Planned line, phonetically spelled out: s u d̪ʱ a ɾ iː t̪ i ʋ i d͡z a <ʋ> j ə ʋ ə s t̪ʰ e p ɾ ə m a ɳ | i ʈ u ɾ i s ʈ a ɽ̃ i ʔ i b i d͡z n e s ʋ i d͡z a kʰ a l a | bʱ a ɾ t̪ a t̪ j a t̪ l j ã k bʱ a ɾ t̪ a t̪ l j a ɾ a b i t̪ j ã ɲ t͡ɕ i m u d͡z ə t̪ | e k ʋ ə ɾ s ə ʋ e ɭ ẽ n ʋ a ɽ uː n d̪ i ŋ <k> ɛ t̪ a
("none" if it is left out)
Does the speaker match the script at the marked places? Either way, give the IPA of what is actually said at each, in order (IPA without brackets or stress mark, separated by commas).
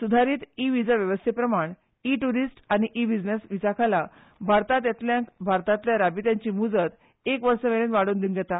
ʋ, ɡ